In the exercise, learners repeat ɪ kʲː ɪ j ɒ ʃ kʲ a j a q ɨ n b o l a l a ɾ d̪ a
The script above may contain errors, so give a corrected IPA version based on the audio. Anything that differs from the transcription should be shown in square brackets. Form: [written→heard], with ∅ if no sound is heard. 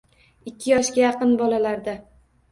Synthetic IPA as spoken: ɪ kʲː ɪ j ɒ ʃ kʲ a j [a→ɑ] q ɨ n b [o→ɒ] l a l a ɾ d̪ a